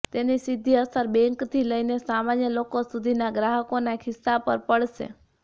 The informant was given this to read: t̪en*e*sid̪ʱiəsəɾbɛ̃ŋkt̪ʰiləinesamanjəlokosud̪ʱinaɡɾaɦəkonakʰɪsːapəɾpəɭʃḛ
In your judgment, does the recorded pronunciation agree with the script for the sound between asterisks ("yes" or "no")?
no